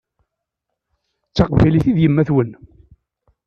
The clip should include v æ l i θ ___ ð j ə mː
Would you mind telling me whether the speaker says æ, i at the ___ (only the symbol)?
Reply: i